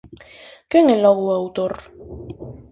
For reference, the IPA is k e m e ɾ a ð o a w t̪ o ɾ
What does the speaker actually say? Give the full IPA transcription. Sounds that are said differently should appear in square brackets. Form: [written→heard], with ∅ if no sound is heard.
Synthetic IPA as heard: k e [m→ŋ] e [ɾ→l] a [ð→ɣ] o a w t̪ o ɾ